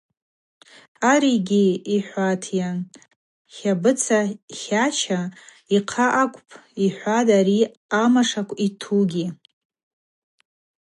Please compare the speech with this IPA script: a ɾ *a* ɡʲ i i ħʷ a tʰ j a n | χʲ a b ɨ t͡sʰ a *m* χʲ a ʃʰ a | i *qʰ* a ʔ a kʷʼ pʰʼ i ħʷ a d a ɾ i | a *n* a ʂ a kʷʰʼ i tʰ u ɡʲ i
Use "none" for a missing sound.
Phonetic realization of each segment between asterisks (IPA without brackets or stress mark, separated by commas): i, none, qʰ, m